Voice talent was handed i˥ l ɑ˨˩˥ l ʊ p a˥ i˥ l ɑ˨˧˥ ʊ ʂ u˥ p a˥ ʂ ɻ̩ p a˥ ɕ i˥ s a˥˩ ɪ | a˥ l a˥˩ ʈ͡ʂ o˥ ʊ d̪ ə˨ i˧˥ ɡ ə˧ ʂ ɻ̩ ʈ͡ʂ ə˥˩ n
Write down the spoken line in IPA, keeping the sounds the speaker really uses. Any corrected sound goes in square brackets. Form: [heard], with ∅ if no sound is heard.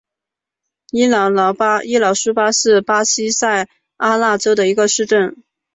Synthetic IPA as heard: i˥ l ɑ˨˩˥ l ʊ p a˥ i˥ l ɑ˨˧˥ ʊ ʂ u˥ p a˥ ʂ ɻ̩ p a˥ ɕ i˥ s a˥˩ ɪ | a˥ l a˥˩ ʈ͡ʂ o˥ ʊ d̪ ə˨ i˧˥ ɡ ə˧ ʂ ɻ̩ ʈ͡ʂ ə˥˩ n